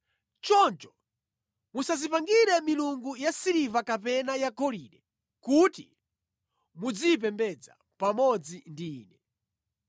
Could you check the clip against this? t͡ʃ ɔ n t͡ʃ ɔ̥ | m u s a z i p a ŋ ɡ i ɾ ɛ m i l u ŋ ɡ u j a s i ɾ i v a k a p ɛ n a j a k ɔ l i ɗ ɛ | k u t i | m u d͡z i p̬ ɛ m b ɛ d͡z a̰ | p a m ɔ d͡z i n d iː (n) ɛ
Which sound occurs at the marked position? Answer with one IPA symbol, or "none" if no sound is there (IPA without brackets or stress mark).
n